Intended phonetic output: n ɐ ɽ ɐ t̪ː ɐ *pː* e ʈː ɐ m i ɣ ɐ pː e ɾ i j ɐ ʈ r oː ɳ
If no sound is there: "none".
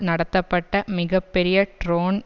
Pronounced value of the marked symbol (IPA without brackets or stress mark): pː